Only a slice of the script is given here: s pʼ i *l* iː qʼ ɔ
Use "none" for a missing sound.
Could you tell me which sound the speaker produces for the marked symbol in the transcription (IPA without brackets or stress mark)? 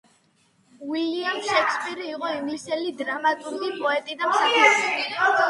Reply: ɾ